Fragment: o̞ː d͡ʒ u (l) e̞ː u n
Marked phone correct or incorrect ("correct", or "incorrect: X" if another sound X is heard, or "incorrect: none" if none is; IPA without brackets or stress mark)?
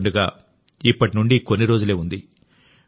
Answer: correct